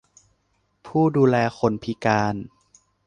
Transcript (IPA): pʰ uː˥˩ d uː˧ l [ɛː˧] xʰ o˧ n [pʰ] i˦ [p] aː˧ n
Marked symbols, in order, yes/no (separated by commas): yes, yes, no